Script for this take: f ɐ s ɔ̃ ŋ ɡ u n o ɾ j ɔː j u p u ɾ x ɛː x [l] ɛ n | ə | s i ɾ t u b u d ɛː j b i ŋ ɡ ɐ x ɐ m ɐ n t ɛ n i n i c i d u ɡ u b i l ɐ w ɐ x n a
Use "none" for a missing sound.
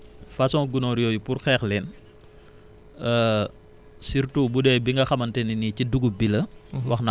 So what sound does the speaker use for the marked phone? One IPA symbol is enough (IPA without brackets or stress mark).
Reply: l